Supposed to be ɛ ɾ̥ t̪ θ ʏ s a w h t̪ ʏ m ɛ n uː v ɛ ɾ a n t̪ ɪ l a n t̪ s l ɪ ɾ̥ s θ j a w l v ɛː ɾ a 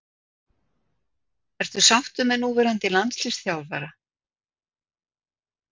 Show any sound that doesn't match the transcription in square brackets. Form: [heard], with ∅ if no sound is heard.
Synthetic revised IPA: ɛ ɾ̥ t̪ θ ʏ s a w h t̪ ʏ m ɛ n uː v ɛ ɾ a n t̪ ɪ l a n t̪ s l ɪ [∅] s θ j a w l v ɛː ɾ a